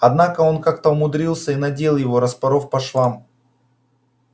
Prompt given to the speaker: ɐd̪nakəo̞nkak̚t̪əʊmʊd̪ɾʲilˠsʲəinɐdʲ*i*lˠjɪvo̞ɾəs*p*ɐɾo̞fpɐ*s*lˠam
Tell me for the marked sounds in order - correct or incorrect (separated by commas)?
incorrect, correct, incorrect